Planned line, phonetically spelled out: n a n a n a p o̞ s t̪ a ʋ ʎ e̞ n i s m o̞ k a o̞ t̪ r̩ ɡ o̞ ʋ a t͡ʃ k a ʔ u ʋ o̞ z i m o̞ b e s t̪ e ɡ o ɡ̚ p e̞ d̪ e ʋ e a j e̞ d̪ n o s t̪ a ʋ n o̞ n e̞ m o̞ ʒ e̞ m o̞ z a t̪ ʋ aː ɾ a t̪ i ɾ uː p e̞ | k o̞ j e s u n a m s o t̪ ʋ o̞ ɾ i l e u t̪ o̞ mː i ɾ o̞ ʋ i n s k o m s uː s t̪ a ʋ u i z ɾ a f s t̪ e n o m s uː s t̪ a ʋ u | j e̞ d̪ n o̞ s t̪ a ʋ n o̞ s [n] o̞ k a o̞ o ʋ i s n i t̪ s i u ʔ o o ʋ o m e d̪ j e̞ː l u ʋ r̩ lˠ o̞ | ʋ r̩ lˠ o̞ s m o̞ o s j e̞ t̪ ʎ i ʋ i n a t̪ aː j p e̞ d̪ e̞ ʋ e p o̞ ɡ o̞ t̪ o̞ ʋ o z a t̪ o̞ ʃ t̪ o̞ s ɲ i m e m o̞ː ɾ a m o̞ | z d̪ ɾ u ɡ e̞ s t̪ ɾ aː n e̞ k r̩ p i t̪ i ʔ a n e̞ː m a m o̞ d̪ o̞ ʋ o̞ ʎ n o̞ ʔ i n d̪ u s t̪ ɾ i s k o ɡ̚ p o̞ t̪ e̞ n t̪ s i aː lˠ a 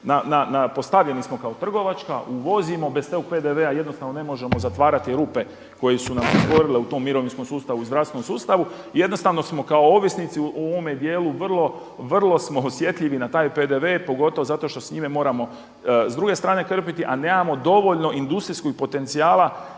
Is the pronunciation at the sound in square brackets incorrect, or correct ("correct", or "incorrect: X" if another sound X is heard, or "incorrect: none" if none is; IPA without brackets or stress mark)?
incorrect: m